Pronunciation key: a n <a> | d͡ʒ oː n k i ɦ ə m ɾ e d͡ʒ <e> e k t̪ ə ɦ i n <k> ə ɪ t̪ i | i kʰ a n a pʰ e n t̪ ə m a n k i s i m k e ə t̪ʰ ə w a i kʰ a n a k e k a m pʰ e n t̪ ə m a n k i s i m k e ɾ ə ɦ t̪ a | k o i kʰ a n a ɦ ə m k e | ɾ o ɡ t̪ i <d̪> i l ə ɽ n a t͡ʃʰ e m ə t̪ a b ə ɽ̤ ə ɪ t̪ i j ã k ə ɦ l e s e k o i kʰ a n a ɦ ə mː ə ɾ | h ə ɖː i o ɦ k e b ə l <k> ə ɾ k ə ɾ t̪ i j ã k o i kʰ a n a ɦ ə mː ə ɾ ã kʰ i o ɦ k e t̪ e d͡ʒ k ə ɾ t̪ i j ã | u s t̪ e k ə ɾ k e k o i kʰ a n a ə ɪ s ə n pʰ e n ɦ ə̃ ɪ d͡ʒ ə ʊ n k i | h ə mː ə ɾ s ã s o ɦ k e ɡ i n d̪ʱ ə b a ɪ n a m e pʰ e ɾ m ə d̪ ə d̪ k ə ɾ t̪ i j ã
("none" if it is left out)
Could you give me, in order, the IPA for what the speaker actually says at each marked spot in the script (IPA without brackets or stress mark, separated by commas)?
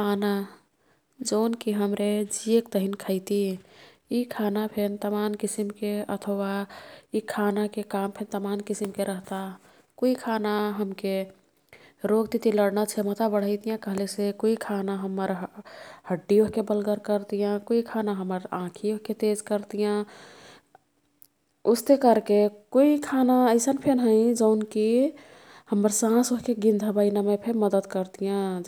a, i, kʰ, t̪, ɡ